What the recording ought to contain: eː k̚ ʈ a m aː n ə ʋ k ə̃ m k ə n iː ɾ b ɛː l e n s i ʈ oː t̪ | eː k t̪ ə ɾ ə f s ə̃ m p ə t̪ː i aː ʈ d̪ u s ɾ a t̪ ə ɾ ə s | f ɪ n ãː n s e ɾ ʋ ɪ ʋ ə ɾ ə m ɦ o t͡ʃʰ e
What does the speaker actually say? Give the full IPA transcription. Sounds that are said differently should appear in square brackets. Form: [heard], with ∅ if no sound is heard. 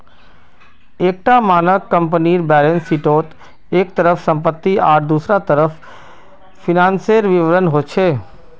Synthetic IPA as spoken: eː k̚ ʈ a m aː n ə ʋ k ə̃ m [p] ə n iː ɾ b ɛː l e n s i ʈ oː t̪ | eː k t̪ ə ɾ ə f s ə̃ m p ə t̪ː i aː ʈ d̪ u s ɾ a t̪ ə ɾ ə [f] | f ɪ n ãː n s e ɾ ʋ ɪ ʋ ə ɾ ə [n] ɦ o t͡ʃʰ e